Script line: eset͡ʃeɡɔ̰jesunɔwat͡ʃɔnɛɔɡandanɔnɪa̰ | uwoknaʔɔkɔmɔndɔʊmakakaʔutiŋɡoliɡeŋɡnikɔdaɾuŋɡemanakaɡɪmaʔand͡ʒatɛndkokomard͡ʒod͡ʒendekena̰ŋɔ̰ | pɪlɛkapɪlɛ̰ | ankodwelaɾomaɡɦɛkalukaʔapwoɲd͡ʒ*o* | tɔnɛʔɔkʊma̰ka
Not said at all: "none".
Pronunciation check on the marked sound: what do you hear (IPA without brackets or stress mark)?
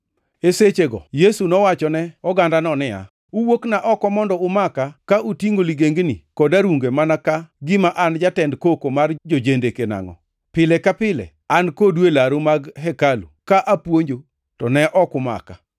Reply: o